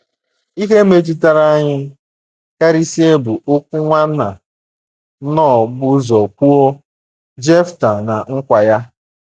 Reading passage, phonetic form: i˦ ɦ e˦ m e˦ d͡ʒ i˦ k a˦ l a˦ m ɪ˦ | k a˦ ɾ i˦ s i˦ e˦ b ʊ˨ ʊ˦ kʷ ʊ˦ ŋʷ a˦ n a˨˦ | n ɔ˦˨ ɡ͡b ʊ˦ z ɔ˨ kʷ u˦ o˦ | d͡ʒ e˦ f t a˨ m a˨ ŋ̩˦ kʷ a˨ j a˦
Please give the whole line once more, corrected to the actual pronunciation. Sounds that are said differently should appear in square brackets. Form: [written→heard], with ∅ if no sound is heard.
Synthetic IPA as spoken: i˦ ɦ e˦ m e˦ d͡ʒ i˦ [k→t] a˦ [l→ɾ] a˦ [m→ɲ] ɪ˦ | k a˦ ɾ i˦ s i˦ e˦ b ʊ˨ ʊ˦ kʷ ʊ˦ ŋʷ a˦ n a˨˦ | n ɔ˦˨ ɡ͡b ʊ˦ z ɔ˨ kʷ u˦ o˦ | d͡ʒ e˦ f t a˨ [m→n] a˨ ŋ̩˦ kʷ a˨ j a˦

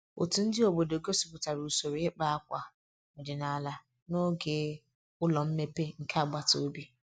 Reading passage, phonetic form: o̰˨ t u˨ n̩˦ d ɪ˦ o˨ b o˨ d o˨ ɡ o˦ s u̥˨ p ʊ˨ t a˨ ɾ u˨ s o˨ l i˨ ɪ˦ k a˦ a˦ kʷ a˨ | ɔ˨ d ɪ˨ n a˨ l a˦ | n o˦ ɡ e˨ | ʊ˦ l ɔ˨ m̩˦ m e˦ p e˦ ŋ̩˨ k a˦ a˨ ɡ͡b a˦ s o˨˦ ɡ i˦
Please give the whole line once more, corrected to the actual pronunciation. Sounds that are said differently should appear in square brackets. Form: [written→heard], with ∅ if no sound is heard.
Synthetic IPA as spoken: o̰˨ t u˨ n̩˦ d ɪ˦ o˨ b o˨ d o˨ ɡ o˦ s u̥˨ p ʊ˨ t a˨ ɾ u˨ s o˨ [l→ɾ] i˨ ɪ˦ [k→k͡p] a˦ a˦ kʷ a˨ | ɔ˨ d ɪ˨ n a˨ l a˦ | n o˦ ɡ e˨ | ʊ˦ l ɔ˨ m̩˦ m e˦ p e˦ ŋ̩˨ k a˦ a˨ ɡ͡b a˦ [s→t] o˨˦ [ɡ→b] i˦

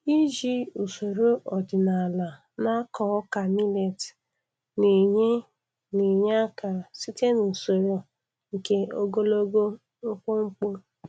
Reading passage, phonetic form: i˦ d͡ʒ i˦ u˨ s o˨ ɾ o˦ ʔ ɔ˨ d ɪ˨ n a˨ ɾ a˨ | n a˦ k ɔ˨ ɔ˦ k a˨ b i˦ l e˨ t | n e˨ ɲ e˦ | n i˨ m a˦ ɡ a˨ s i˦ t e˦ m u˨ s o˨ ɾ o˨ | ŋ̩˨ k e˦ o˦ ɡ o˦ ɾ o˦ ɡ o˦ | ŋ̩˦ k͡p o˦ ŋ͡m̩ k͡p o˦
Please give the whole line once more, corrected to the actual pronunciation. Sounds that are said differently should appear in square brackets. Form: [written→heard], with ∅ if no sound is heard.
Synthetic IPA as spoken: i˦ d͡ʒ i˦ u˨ s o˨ ɾ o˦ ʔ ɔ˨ d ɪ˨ n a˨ [ɾ→l] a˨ | n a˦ k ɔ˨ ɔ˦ k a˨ [b→m] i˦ l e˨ t | n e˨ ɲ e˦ | n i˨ [m→ɲ] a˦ [ɡ→k] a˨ s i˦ t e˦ [m→n] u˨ s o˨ ɾ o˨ | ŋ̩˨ k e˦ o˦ ɡ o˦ [ɾ→l] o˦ ɡ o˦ | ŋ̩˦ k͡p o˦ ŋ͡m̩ k͡p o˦

